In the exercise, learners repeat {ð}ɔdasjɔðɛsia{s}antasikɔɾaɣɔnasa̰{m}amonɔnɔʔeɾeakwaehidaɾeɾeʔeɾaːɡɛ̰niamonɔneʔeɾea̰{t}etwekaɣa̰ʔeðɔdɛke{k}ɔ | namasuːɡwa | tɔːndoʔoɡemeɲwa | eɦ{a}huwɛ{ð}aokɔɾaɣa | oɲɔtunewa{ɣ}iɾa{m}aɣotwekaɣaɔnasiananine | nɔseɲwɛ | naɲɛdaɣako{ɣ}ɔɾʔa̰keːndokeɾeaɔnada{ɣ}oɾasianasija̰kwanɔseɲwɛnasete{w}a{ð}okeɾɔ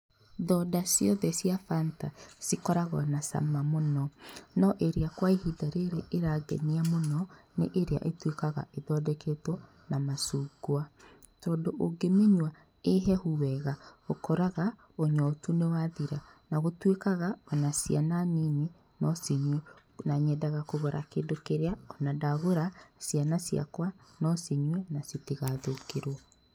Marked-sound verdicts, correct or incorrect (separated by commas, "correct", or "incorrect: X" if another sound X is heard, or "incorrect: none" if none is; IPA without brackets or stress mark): correct, incorrect: f, correct, incorrect: ʔ, incorrect: t, incorrect: ɛ, incorrect: ɣ, incorrect: ð, incorrect: n, correct, correct, incorrect: ɣ, correct